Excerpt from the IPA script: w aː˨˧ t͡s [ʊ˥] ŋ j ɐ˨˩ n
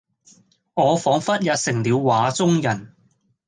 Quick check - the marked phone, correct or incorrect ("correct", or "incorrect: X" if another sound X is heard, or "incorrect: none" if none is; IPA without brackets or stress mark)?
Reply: correct